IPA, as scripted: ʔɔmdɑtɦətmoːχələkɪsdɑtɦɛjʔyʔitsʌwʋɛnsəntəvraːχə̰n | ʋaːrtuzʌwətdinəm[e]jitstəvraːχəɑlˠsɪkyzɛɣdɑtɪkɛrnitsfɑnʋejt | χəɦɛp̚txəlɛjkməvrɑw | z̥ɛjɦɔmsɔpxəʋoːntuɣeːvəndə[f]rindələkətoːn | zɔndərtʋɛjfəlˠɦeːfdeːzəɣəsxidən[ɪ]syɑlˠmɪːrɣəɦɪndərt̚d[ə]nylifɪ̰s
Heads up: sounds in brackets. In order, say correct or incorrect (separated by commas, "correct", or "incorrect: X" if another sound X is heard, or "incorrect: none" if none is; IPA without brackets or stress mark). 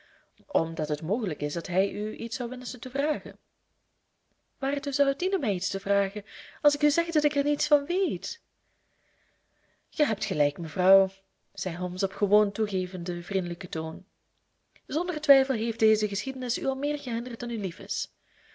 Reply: incorrect: ɛ, incorrect: v, correct, incorrect: ɑ